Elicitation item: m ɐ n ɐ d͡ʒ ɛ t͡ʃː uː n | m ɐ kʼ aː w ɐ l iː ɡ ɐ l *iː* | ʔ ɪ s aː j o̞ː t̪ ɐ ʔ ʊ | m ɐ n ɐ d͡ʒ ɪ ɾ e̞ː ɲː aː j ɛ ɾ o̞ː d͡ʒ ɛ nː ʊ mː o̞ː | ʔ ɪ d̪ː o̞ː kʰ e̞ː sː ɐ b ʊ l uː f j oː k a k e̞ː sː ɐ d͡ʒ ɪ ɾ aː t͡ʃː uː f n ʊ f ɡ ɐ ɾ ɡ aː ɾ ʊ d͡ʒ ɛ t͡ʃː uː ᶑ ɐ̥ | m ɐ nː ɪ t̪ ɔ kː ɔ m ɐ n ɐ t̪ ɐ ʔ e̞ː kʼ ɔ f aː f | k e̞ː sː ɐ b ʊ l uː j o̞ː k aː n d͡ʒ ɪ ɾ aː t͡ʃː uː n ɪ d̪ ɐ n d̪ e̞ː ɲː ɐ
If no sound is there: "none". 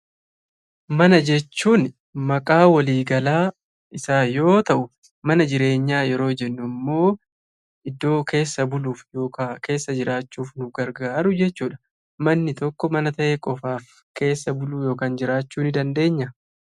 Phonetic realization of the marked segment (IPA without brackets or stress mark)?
aː